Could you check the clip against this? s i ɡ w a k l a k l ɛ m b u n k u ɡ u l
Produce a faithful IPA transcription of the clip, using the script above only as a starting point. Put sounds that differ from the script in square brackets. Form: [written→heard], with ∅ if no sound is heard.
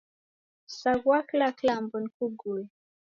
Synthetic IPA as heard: s [i→a] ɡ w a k l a k l [ɛ→a] m b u n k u ɡ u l